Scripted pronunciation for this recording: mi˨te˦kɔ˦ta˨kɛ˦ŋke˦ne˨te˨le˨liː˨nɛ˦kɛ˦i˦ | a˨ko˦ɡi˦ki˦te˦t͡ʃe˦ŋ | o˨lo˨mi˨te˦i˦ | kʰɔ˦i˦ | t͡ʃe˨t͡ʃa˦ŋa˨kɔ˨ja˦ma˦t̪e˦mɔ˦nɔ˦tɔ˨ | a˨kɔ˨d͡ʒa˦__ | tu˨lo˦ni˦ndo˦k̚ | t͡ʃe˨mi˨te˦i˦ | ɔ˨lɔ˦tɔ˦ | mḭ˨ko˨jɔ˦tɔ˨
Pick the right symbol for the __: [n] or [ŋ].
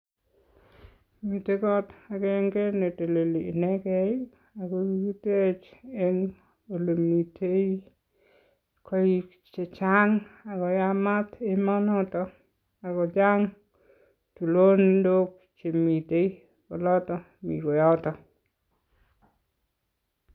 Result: ŋ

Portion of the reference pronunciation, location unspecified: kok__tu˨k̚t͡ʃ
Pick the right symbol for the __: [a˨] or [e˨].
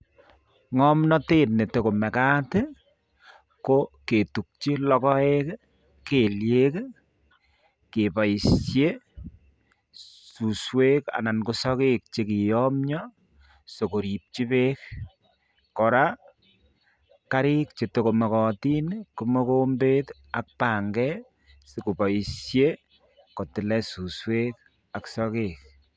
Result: e˨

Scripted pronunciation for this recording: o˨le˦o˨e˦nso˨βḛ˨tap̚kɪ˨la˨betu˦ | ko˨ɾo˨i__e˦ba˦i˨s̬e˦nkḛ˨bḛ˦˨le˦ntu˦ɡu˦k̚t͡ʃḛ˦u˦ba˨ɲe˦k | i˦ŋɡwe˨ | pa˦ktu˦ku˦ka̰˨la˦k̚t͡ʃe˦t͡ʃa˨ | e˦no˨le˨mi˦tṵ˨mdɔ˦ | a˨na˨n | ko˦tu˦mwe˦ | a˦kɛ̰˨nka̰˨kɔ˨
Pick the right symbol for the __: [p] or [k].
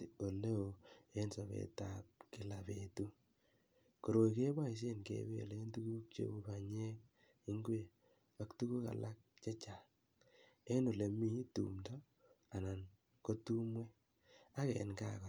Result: k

